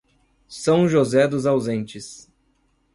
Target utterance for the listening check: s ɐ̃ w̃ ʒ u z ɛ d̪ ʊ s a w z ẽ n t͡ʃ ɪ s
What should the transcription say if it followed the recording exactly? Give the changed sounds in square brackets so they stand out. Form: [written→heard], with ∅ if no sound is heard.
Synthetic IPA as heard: s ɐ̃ w̃ ʒ [u→o] z ɛ d̪ ʊ [s→z] a w z ẽ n t͡ʃ ɪ s